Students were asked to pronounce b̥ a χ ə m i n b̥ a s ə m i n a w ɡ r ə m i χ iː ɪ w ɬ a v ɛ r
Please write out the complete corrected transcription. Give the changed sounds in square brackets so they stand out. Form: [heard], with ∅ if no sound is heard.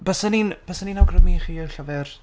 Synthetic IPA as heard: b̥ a [s] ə [n] i n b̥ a s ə [n] i n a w ɡ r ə m i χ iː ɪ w ɬ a v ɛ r